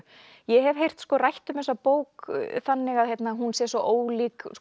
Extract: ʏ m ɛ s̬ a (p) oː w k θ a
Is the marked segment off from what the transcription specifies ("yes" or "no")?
no